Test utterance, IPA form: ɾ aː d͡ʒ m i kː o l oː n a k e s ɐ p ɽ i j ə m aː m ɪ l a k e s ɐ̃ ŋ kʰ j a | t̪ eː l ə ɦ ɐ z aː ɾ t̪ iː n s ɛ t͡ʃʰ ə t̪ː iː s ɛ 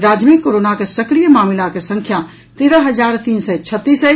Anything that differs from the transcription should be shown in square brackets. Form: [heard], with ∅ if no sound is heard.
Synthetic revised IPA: ɾ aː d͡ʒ m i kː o [ɾ] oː n a k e s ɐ [k] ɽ i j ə m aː m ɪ l a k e s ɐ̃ ŋ kʰ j a | t̪ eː [ɾ] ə ɦ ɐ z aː ɾ t̪ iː n s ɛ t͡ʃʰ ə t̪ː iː s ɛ

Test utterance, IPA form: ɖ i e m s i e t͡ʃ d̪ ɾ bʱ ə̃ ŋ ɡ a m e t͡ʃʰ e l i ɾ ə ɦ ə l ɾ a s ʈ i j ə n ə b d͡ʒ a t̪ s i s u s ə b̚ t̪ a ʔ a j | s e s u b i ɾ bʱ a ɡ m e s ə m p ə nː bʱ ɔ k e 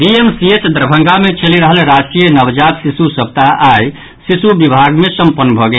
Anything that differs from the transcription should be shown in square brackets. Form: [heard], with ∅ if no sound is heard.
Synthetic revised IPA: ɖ i e m s i e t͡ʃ d̪ ɾ bʱ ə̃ ŋ ɡ a m e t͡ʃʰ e l i ɾ ə ɦ ə l ɾ a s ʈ i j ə n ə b d͡ʒ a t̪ s i s u s ə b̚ t̪ a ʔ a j | s [i] s u b i [∅] bʱ a ɡ m e s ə m p ə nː bʱ ɔ [ɡ] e

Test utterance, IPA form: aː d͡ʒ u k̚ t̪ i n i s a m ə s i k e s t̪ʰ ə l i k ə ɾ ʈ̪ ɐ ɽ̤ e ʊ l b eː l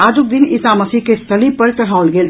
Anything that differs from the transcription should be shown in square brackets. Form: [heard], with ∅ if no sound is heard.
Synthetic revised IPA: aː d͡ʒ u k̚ [d̪] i n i s a m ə s i k e s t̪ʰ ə l i [p] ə ɾ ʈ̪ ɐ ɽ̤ [a] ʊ l [ɡ] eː l

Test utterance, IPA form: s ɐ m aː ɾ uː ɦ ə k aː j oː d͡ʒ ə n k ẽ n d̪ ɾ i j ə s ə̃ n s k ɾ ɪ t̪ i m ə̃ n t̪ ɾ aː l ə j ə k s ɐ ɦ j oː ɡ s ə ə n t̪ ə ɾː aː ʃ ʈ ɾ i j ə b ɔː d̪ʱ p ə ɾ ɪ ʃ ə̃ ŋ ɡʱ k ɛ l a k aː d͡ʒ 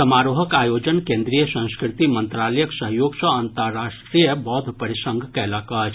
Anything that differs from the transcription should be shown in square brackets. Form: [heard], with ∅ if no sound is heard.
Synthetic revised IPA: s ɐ m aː ɾ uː ɦ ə k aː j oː d͡ʒ ə n k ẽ n d̪ ɾ i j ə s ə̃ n s k ɾ ɪ t̪ i m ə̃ n t̪ ɾ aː l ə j ə k s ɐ ɦ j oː ɡ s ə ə n t̪ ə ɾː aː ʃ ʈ ɾ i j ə b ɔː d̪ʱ p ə ɾ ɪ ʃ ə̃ ŋ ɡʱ k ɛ l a k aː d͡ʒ

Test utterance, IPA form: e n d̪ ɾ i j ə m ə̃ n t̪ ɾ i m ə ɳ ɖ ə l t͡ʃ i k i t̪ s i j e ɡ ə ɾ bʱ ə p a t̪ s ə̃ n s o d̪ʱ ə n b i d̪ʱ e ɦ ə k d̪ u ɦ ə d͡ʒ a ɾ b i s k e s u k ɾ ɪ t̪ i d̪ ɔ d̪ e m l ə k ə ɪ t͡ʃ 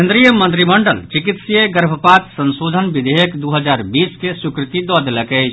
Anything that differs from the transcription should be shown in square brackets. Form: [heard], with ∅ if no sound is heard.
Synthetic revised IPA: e n d̪ ɾ i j ə m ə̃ n t̪ ɾ i m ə ɳ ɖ ə l t͡ʃ i k i t̪ s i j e ɡ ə ɾ bʱ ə p a t̪ s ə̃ n s o d̪ʱ ə n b i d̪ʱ e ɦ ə k d̪ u ɦ ə d͡ʒ a ɾ b i s k e s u k ɾ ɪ t̪ i d̪ ɔ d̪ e [∅] l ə k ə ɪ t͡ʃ

